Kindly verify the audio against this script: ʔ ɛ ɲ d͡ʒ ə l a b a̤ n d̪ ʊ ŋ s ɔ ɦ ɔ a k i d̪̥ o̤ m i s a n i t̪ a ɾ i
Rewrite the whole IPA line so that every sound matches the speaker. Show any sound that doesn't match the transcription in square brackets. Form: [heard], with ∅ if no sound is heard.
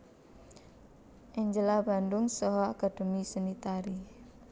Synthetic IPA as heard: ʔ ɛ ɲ d͡ʒ ə l a b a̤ n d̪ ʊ ŋ s ɔ ɦ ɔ a k [a] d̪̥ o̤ m i s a n i t̪ a ɾ i